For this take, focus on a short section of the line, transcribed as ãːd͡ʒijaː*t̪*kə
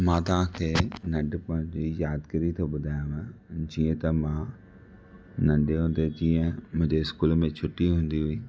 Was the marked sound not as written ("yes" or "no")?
yes